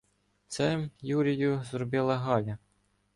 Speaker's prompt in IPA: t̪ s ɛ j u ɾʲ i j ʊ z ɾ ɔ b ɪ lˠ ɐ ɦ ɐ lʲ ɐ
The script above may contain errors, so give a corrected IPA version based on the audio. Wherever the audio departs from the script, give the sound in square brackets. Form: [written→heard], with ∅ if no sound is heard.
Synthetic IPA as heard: t̪ s ɛ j u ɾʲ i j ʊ z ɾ ɔ b ɪ lˠ ɐ ɦ [ɐ→ɑ] lʲ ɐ